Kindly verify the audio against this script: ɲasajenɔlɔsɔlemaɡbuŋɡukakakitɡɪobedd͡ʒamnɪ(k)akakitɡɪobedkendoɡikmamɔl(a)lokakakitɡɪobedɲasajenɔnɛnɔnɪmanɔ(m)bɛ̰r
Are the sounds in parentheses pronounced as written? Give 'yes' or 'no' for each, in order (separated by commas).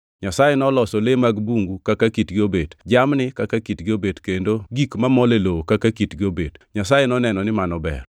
yes, no, no